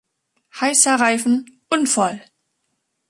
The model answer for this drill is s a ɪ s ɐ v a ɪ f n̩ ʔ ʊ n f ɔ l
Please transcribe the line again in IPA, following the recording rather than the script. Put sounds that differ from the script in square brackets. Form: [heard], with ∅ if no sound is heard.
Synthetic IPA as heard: [h] a ɪ s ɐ [ʁ] a ɪ f n̩ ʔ ʊ n f ɔ l